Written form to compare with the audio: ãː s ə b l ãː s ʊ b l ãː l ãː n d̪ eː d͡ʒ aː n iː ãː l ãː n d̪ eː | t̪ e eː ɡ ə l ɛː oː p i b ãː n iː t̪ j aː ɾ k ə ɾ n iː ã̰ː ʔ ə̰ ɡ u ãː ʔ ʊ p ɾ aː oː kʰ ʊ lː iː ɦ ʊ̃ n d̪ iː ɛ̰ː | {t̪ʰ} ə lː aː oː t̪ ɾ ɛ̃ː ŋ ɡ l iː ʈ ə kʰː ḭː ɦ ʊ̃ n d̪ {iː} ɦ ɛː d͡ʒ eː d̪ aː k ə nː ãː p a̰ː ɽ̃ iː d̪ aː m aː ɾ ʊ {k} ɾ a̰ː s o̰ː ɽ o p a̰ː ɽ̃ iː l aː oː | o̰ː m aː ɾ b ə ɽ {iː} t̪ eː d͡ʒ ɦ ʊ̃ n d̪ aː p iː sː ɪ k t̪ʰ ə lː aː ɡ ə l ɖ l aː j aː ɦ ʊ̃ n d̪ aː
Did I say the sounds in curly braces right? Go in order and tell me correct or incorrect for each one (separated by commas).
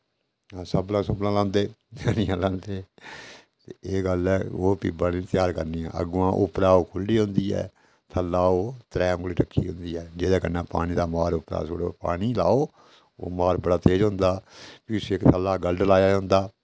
correct, correct, incorrect, incorrect